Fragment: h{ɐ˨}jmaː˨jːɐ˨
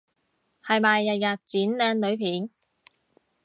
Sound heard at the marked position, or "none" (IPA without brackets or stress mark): ɐ˨